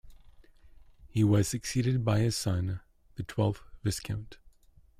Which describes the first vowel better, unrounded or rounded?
unrounded